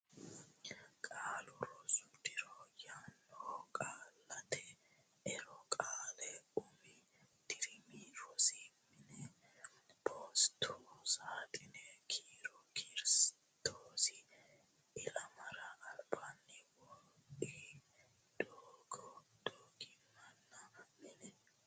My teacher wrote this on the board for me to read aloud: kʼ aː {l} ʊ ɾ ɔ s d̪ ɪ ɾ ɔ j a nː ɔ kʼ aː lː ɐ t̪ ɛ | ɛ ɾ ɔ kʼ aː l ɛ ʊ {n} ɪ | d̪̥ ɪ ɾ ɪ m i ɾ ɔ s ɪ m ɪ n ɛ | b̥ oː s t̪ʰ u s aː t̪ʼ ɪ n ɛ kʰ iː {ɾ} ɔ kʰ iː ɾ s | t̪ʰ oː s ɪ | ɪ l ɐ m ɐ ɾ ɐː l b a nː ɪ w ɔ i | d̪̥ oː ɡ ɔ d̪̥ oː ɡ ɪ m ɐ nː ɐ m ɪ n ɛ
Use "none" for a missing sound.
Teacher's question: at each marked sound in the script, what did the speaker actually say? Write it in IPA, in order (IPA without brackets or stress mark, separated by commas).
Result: l, m, ɾ